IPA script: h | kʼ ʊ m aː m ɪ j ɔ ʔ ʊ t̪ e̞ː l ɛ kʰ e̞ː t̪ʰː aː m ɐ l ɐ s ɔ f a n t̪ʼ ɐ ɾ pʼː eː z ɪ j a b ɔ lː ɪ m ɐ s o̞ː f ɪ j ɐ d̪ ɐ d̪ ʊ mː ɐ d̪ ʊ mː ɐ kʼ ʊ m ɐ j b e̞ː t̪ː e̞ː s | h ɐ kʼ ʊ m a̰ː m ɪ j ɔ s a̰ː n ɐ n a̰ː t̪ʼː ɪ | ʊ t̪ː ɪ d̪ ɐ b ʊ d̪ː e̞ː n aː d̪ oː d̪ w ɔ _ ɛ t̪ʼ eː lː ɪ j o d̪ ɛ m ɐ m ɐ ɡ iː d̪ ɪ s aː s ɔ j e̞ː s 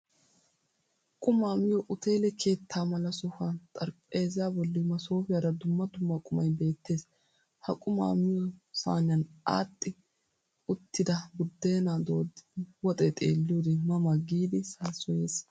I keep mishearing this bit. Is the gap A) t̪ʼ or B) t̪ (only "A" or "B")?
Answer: A